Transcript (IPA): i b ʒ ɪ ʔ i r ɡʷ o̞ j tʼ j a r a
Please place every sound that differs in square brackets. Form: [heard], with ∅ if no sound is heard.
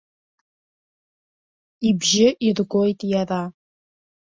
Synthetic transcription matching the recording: i b ʒ ɪ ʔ i r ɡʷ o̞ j tʼ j a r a